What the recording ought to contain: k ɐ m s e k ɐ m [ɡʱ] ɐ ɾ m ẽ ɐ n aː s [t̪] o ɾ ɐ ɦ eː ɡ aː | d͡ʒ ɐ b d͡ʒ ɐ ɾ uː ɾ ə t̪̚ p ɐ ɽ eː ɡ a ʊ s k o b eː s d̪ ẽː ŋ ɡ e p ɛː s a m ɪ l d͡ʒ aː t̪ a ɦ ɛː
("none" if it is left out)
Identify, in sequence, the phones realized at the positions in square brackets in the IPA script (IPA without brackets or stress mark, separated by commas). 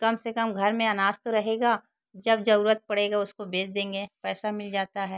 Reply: ɡʱ, t̪